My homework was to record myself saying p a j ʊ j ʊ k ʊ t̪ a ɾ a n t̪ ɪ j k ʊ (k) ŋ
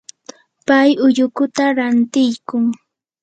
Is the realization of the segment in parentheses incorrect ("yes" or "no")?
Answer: yes